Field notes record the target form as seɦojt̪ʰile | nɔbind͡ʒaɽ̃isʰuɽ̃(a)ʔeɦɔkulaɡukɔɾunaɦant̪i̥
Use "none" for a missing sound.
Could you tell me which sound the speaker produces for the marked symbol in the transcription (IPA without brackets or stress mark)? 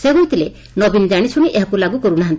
i